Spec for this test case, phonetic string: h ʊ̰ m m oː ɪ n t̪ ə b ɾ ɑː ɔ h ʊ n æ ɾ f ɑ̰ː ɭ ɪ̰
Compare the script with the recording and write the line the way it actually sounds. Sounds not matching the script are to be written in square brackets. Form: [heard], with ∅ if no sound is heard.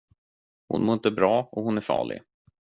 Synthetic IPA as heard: h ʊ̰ [n] m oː ɪ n t̪ ə b ɾ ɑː ɔ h ʊ n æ ɾ f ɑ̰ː ɭ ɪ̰